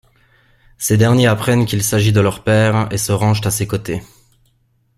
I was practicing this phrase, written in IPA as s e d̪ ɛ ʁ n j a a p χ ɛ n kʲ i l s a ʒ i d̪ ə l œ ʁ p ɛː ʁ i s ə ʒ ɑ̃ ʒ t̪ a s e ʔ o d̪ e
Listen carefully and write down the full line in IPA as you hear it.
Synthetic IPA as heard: s e d̪ ɛ ʁ n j e a p χ ɛ n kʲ i l s a ʒ i d̪ ə l œ ʁ p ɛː ʁ e s ə ʁ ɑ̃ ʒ t̪ a s e k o t̪ e